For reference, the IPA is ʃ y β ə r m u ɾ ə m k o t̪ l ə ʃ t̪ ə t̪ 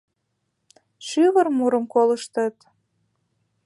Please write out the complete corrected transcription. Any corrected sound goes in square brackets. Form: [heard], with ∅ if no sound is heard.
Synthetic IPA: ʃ y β ə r m u ɾ ə m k o [∅] l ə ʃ t̪ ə t̪